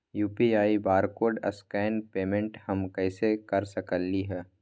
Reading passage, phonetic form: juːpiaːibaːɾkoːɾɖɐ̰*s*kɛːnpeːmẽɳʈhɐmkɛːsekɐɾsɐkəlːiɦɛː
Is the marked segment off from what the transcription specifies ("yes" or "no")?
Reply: no